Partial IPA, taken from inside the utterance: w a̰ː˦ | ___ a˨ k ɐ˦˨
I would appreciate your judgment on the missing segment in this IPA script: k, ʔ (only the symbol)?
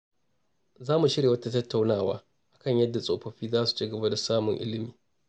ʔ